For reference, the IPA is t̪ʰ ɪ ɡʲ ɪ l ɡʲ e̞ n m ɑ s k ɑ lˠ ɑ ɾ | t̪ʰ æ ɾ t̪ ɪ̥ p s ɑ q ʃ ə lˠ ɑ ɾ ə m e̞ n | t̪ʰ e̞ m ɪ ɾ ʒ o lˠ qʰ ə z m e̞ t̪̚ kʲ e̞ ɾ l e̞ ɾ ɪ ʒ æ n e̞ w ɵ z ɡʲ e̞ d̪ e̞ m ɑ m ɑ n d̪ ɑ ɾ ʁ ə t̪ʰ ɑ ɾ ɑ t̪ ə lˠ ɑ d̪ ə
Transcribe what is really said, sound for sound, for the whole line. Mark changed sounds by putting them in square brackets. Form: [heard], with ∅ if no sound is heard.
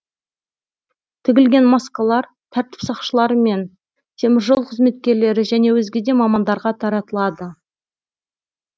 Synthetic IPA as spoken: t̪ʰ ɪ ɡʲ ɪ l ɡʲ e̞ n m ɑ s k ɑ lˠ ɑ ɾ | t̪ʰ æ ɾ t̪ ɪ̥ p s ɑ q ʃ ə lˠ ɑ ɾ ə m e̞ n | t̪ʰ e̞ m ɪ ɾ ʒ o lˠ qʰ ə z m e̞ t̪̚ kʲ e̞ ɾ l e̞ ɾ ɪ ʒ æ n e̞ w ɵ z ɡʲ e̞ d̪ e̞ m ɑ m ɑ n d̪ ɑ ɾ ʁ [ɑ] t̪ʰ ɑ ɾ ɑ t̪ ə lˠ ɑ d̪ ə